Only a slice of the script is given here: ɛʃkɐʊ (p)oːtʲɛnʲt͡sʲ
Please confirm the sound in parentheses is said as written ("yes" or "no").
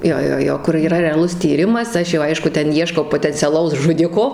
yes